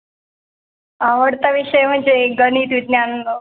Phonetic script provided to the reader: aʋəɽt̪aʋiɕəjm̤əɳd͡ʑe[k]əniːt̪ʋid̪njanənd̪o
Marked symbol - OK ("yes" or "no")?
no